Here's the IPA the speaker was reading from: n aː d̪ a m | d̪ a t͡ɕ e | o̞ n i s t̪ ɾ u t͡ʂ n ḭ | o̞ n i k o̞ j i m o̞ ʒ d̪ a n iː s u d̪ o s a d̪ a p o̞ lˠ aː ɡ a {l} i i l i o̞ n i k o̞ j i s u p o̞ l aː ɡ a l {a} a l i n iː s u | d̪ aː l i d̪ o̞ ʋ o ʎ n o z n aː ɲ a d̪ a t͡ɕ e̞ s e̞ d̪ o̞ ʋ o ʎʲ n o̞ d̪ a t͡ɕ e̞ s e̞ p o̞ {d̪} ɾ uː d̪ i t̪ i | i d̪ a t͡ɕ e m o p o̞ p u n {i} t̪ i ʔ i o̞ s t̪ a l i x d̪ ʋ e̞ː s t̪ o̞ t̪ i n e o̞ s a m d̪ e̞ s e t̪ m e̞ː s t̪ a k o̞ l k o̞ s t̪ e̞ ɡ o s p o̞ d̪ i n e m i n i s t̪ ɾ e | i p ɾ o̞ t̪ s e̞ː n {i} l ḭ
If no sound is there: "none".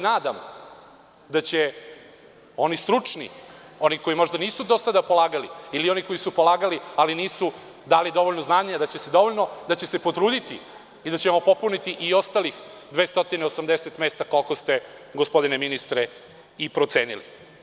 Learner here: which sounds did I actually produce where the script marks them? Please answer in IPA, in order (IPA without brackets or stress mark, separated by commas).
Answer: l, i, t̪, i, i